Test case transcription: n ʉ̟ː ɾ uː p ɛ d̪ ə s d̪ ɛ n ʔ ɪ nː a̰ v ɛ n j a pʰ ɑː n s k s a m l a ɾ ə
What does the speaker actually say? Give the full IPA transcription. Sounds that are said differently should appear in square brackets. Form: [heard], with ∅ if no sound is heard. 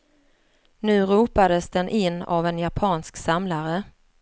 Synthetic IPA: n ʉ̟ː ɾ uː p [a] d̪ ə s d̪ ɛ n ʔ ɪ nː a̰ v ɛ n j a pʰ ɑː n s k s a m l a ɾ ə